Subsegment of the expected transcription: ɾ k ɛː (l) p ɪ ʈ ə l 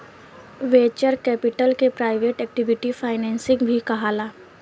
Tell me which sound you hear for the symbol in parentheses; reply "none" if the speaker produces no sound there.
none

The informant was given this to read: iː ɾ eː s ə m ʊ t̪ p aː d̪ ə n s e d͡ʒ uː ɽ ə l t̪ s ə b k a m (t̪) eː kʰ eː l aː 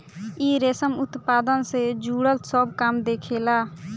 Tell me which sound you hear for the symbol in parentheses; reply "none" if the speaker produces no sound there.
d̪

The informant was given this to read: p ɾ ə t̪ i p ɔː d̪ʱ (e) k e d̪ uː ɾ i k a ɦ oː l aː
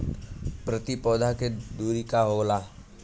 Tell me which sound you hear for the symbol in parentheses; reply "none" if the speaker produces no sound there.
a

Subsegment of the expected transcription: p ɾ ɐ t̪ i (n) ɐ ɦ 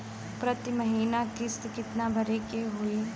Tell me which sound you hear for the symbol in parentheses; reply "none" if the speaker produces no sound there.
m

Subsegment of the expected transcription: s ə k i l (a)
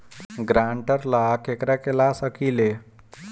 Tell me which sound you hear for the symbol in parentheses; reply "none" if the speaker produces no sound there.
e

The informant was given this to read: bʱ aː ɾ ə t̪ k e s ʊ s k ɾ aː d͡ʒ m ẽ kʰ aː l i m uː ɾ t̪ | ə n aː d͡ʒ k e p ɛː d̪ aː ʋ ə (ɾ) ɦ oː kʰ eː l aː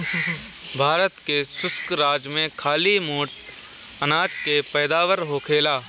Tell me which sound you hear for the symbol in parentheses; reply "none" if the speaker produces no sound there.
ɾ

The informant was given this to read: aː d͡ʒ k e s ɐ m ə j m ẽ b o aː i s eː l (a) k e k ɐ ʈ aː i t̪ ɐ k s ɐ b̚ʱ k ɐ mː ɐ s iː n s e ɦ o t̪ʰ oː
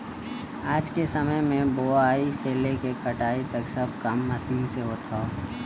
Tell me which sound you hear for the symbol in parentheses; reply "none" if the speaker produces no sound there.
e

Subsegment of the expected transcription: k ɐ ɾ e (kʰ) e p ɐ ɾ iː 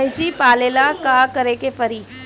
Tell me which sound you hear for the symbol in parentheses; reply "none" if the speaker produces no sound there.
k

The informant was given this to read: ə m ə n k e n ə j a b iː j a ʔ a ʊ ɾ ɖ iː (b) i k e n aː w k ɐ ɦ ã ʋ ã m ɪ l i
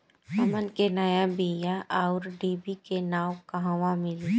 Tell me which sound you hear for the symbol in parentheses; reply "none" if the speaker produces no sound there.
b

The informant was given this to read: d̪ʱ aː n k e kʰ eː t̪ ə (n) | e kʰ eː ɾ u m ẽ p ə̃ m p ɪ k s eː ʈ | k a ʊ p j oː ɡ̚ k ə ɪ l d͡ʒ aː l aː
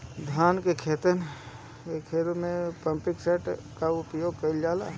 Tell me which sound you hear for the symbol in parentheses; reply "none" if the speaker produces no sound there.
n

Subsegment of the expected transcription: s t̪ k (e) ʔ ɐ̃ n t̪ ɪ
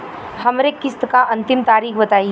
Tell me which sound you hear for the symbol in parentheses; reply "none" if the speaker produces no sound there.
a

